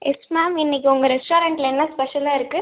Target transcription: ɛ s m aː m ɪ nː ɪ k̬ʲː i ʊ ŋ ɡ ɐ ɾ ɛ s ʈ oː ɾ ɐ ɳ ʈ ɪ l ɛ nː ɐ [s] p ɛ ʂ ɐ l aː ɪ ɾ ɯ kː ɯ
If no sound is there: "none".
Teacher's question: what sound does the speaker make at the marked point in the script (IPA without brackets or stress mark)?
s